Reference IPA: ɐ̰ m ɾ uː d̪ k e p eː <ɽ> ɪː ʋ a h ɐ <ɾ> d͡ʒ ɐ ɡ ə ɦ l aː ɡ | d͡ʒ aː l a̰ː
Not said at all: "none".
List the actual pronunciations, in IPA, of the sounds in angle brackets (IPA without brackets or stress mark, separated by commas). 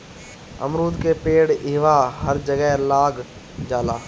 ɽ, ɾ